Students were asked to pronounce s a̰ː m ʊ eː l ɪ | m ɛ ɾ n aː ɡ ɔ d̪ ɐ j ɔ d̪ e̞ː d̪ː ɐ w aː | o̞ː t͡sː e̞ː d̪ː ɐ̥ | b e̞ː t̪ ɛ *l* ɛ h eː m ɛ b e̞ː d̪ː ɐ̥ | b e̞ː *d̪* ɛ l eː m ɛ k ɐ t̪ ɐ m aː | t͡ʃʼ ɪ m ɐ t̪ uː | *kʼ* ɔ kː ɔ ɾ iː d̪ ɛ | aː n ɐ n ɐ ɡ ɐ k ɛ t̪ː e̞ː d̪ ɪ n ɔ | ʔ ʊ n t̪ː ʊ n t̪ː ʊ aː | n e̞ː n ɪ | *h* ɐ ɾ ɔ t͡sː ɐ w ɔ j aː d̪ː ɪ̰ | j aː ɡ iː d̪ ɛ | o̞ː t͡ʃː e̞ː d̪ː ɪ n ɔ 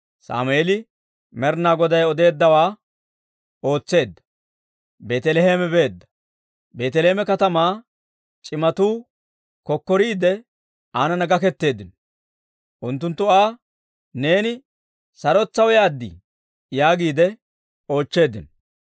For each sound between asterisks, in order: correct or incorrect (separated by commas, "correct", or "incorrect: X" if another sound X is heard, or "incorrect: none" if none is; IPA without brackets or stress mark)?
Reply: correct, incorrect: t̪, incorrect: k, incorrect: s